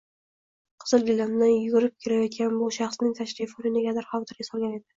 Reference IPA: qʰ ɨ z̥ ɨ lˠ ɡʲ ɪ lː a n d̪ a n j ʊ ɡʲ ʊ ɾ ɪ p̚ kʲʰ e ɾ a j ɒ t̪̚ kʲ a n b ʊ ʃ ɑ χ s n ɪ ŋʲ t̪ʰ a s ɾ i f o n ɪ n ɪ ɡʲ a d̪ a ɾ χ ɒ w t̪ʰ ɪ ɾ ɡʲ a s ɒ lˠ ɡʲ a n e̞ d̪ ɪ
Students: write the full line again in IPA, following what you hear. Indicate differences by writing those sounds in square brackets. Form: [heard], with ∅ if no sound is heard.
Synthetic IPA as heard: qʰ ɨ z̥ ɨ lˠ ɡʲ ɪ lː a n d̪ a n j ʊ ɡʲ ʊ ɾ ɪ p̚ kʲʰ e ɾ a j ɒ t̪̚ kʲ a n b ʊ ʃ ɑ χ s n ɪ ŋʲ t̪ʰ a [ʃ] ɾ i f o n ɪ n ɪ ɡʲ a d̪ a ɾ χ ɒ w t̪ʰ ɪ ɾ ɡʲ a s ɒ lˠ ɡʲ a n e̞ d̪ ɪ